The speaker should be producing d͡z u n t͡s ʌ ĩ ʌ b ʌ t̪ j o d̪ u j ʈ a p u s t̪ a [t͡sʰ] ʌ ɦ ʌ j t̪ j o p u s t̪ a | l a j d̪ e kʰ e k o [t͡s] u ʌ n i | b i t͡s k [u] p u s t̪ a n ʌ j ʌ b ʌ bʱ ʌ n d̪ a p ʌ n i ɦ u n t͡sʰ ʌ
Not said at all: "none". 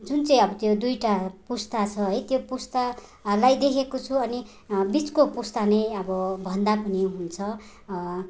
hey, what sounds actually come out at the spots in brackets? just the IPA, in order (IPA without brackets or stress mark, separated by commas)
t͡sʰ, t͡sʰ, o